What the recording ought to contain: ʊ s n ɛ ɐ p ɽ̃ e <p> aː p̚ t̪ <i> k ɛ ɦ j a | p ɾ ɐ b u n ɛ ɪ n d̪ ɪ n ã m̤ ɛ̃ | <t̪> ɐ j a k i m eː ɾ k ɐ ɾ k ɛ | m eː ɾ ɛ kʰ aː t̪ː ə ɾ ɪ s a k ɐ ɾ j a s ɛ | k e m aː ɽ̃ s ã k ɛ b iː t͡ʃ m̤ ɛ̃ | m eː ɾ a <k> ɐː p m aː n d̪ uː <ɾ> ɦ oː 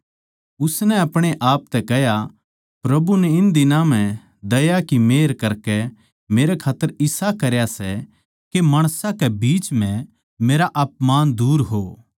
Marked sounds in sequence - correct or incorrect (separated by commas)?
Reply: incorrect, incorrect, incorrect, incorrect, correct